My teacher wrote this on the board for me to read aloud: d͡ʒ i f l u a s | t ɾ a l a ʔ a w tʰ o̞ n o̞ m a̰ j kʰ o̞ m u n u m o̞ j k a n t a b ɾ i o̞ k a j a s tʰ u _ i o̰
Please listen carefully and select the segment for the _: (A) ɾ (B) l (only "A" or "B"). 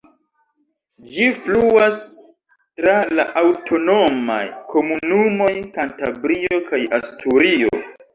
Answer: A